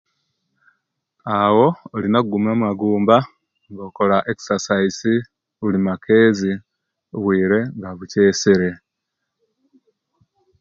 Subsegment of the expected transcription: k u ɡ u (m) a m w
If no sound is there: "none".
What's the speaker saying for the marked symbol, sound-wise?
m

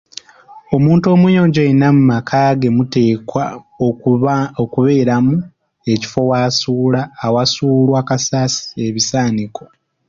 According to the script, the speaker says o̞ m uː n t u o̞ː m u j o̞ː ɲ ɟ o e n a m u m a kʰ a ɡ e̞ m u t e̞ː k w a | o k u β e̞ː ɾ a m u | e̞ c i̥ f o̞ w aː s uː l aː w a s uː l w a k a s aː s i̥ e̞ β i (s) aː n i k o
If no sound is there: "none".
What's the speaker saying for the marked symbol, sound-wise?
s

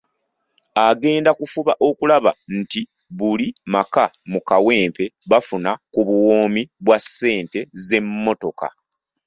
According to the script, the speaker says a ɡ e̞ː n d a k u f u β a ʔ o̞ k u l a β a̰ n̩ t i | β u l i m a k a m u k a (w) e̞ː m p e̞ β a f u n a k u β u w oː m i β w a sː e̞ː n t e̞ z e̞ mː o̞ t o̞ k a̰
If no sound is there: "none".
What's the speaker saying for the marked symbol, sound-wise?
w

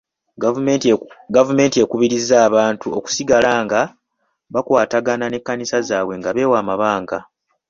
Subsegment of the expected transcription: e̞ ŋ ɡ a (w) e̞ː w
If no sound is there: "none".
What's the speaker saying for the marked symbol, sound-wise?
β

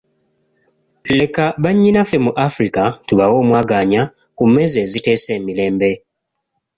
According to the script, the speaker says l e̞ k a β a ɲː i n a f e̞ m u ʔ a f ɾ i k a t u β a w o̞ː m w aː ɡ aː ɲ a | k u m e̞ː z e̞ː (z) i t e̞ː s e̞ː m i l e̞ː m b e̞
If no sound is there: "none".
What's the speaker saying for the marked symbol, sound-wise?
z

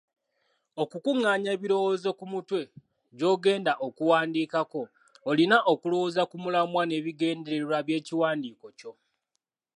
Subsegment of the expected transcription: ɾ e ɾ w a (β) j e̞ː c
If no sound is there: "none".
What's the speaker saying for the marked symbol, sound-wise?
β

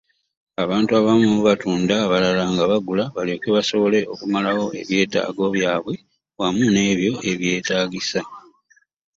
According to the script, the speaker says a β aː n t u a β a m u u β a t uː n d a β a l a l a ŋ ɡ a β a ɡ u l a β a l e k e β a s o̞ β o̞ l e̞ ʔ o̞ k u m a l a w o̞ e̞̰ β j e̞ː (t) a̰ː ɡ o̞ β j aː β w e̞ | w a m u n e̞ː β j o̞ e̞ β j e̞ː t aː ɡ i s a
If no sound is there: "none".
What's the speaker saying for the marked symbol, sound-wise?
t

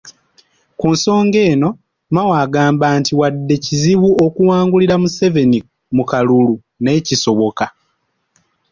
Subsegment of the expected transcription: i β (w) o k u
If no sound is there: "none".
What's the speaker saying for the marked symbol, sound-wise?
u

